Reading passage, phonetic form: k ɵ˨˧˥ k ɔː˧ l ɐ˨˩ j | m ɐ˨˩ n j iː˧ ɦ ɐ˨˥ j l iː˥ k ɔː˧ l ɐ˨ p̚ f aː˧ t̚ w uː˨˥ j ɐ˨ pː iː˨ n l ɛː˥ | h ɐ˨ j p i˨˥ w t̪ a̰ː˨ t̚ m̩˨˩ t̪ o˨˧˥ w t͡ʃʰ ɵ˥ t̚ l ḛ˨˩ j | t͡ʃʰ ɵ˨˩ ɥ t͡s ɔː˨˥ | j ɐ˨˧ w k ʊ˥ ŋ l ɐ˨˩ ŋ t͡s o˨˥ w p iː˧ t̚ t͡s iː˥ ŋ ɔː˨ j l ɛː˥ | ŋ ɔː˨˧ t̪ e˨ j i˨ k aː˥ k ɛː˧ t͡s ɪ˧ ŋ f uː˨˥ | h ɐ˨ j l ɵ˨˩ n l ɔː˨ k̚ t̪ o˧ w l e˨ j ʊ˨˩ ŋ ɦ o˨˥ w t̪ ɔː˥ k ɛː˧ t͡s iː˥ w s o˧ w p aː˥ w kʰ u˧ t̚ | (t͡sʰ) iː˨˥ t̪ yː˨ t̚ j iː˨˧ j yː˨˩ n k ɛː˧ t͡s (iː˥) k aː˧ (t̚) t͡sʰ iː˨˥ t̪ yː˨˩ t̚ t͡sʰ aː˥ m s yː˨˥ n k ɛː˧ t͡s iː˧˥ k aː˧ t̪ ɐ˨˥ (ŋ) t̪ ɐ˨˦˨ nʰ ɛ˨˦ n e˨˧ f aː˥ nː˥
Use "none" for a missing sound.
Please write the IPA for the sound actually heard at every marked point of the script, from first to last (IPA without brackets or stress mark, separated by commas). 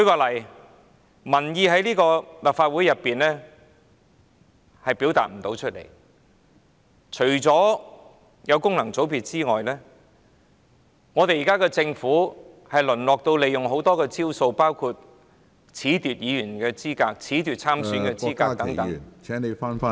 t͡sʰ, iː˥, k̚, ŋ